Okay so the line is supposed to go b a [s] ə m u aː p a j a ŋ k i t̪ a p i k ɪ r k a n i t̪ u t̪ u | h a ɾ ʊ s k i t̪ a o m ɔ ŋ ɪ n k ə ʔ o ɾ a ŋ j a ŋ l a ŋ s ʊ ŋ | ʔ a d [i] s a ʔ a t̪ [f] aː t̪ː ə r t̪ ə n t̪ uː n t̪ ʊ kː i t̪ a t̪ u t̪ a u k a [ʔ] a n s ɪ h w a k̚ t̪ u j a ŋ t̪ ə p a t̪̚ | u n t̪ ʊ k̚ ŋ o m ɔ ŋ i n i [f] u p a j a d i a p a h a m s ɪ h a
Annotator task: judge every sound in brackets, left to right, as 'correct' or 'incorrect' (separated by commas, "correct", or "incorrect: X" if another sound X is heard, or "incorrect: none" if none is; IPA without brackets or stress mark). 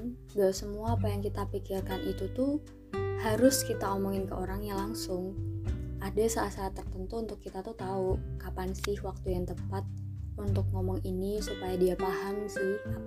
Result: correct, incorrect: a, incorrect: s, incorrect: p, incorrect: s